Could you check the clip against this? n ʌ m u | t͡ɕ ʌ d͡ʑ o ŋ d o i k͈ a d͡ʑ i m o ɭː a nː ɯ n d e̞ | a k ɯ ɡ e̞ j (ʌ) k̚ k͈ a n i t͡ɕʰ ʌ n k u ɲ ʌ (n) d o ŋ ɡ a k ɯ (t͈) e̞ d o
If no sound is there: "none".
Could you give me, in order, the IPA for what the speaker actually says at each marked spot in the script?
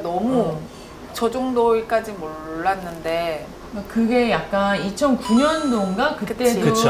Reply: a, n, t͈

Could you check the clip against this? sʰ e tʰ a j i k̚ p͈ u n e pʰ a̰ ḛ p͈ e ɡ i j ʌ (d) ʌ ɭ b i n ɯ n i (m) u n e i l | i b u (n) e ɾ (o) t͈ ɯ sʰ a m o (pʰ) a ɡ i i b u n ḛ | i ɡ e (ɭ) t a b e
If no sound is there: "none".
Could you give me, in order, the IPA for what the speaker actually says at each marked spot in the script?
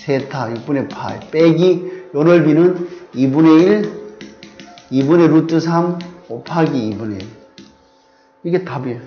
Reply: n, b, n, u, pʰ, none

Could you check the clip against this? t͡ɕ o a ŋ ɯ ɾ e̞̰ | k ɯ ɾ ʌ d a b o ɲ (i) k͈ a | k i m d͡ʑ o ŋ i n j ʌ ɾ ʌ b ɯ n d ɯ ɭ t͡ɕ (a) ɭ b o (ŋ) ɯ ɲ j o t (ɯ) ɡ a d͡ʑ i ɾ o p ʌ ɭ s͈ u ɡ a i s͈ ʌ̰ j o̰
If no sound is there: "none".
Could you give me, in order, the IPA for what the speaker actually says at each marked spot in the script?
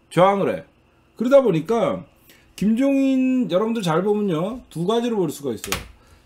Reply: i, a, m, u

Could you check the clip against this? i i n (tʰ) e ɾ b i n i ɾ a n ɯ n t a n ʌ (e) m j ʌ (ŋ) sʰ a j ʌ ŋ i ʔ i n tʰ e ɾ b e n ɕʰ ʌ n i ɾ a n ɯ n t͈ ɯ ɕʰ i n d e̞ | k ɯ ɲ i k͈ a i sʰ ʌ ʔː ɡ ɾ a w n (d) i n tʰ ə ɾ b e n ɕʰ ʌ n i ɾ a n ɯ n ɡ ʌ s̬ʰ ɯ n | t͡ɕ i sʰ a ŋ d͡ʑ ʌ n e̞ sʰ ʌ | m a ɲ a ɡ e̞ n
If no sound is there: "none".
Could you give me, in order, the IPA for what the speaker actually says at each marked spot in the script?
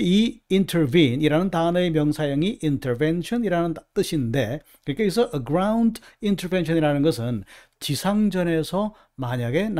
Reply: tʰ, e, ŋ, d

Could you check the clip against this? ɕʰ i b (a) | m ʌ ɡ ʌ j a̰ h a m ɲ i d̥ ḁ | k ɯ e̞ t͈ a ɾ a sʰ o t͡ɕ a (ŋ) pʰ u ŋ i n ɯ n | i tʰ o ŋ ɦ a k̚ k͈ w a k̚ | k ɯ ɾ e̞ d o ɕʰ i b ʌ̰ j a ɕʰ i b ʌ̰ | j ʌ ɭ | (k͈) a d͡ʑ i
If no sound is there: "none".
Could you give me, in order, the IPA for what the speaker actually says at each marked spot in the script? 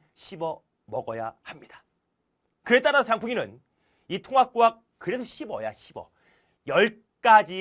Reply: ʌ, ŋ, k͈

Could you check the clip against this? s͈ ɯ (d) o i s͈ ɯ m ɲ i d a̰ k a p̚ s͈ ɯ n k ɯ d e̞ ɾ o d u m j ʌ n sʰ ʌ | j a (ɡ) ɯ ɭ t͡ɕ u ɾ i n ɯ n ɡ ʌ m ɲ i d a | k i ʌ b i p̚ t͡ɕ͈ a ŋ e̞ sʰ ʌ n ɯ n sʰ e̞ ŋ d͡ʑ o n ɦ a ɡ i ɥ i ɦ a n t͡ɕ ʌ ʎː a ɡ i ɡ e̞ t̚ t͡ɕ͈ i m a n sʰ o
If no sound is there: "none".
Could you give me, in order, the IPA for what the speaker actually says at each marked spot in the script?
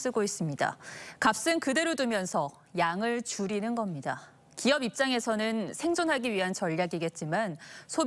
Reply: ɡ, ŋ

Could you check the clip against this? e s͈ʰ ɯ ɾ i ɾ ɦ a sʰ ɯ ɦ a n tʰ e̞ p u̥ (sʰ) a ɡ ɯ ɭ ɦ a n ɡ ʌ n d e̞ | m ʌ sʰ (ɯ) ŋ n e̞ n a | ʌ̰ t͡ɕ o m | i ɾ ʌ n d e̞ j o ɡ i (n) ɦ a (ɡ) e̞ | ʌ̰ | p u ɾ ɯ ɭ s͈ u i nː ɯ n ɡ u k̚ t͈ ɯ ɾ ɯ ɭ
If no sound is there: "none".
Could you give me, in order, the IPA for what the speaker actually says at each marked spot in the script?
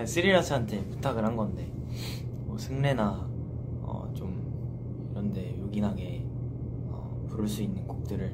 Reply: tʰ, ɯ, n, ɡ

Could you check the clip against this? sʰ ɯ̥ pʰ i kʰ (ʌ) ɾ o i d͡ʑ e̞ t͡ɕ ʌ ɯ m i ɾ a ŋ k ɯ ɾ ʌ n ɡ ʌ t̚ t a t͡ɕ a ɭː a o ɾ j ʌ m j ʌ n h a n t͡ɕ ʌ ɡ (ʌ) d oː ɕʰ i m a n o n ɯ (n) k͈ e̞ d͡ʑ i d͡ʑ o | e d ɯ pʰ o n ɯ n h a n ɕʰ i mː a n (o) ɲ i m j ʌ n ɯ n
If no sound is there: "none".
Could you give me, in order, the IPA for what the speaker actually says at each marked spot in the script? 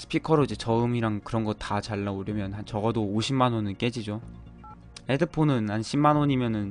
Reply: ʌ, ʌ, n, o

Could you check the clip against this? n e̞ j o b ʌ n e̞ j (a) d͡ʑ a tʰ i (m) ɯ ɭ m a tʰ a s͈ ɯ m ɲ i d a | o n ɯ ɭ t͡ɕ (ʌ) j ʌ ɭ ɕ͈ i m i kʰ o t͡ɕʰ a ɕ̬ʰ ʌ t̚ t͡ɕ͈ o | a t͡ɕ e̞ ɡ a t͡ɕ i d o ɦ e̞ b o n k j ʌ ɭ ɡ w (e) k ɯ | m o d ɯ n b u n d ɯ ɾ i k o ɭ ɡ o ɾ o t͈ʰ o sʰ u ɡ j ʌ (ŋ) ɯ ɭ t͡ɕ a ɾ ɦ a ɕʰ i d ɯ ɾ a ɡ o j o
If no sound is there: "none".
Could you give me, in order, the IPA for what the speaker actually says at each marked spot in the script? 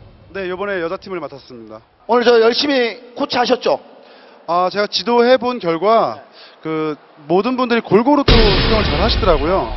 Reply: ʌ, m, ʌ, a, ŋ

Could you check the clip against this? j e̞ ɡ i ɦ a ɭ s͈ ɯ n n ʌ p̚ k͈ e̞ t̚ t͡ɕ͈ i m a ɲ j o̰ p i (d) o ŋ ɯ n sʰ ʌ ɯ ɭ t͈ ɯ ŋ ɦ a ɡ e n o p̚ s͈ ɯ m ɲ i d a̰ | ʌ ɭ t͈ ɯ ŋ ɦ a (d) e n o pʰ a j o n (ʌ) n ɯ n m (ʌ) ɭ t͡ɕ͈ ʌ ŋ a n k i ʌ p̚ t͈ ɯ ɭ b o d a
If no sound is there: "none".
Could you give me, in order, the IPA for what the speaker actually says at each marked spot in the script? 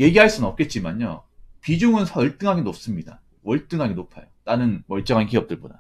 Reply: d͡ʑ, ɡ, a, ʌ

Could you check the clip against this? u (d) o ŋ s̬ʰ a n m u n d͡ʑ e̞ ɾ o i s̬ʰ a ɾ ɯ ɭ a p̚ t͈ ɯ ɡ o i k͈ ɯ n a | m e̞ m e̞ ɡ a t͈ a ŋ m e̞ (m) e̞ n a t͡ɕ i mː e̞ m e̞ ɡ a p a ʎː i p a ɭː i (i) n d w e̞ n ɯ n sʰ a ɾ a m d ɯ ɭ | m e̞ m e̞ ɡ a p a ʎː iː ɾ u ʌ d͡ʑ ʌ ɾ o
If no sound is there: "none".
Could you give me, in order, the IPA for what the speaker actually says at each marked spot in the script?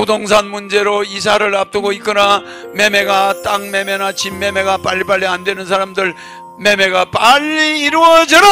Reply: d, m, a

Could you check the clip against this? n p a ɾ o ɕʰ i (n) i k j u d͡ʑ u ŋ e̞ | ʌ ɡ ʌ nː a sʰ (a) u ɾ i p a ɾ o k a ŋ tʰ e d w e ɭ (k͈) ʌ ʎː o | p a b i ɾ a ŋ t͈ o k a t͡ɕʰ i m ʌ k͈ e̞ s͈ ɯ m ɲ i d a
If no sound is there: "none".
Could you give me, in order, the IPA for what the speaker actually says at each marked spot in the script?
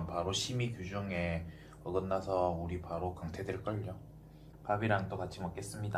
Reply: m, ʌ, k͈

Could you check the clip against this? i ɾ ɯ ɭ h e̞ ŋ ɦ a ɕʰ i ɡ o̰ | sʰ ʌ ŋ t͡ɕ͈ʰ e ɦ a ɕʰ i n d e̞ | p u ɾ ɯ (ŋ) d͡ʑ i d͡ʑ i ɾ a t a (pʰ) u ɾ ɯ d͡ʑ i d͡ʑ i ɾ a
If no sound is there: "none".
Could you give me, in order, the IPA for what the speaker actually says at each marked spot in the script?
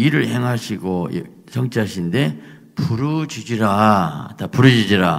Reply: none, p

